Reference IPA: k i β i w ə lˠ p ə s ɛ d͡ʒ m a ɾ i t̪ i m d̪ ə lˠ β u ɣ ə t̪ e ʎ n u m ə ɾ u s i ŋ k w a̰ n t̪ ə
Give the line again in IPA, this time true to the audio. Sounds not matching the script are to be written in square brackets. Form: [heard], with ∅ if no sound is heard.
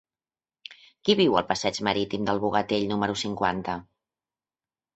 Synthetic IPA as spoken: k i β i w ə lˠ p ə s ɛ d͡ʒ m [ə] ɾ i t̪ i m d̪ ə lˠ β u ɣ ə t̪ e ʎ n u m ə ɾ u s i ŋ k w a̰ n t̪ ə